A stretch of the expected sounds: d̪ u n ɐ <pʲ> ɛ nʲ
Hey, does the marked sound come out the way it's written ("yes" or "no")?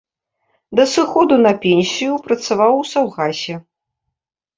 yes